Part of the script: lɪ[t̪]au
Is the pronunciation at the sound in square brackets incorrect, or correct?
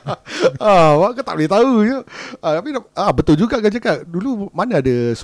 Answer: correct